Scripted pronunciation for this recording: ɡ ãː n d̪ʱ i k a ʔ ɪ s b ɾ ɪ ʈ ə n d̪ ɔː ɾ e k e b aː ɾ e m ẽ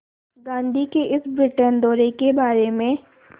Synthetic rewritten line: ɡ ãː n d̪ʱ i k e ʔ ɪ s b ɾ ɪ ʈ ə n d̪ ɔː ɾ e k e b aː ɾ e m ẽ